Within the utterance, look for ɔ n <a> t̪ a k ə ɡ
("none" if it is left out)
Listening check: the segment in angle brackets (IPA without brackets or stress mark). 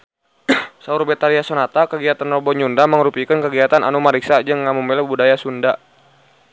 a